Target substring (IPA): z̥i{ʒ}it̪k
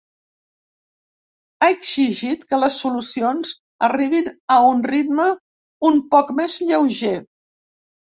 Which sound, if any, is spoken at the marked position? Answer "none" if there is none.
ʒ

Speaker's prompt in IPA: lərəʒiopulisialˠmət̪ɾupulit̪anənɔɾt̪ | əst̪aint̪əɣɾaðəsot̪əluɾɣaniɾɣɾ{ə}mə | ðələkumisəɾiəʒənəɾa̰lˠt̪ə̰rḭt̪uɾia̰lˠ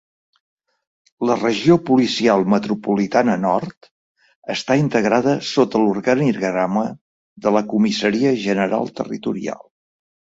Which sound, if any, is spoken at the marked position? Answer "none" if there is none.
a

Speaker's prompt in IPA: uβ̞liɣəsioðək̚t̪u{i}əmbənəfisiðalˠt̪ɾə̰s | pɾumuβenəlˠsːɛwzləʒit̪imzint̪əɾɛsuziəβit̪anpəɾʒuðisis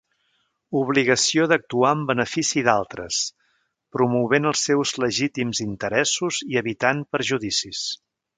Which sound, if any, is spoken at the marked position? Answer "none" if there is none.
a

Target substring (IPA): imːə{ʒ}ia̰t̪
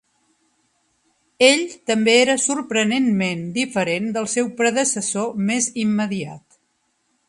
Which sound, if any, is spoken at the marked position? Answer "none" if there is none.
ð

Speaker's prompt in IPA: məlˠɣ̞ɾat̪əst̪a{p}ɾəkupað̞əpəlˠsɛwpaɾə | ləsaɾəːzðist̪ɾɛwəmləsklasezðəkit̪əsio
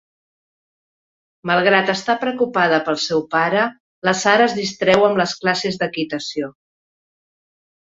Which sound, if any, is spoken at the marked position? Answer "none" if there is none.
p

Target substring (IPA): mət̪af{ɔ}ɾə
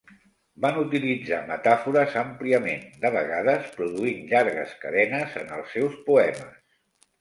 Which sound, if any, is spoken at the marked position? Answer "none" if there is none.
u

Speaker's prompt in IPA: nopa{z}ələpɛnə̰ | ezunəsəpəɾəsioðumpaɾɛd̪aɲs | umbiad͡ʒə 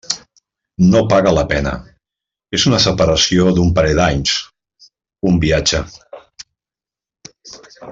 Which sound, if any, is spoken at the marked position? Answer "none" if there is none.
ɣ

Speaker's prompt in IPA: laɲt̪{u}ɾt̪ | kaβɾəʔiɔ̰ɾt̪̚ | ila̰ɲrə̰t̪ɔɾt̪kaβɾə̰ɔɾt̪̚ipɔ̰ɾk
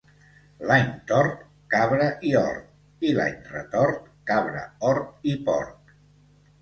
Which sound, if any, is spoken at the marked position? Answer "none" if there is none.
ɔ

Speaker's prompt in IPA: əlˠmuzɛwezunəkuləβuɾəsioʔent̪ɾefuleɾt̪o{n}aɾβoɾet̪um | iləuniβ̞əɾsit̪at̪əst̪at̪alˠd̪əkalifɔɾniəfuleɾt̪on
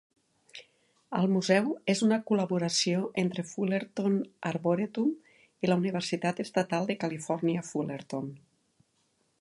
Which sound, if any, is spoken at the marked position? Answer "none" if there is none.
n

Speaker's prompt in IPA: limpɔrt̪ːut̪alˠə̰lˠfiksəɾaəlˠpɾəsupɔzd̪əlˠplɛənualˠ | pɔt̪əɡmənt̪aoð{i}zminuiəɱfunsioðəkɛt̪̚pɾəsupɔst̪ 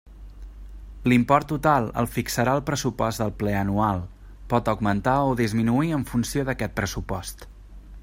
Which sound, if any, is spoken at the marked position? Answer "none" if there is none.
i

